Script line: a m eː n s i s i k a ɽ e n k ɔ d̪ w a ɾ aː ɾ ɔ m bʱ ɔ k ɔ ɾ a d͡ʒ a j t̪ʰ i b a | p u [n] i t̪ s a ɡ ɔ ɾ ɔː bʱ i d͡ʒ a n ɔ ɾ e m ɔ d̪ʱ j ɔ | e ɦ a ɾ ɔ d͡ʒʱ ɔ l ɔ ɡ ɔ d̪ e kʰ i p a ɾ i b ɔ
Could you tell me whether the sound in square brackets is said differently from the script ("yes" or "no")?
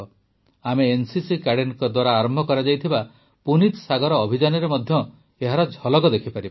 no